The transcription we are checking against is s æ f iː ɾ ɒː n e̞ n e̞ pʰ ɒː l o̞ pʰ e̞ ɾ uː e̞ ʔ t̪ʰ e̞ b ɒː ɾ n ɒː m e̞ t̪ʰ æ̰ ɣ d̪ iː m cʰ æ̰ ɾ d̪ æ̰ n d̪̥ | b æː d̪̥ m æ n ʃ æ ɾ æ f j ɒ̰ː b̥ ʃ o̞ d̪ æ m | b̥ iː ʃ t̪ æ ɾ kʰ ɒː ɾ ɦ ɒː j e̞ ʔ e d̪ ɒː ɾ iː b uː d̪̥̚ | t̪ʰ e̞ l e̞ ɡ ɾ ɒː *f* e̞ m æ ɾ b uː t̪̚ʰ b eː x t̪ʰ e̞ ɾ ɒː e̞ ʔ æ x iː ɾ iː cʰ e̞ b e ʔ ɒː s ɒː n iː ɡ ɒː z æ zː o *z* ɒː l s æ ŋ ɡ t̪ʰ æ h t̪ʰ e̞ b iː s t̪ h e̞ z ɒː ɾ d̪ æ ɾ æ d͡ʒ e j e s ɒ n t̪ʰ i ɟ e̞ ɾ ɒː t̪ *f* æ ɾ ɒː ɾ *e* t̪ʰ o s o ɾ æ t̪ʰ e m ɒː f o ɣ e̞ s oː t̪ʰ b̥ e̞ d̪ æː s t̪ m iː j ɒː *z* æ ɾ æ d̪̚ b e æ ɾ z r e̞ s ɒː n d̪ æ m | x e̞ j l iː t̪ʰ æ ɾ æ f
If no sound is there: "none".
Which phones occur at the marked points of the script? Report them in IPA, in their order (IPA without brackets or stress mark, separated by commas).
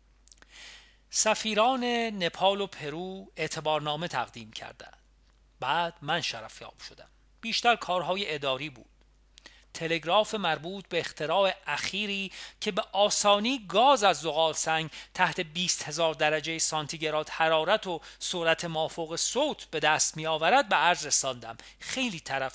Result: f, ɣ, h, æ, v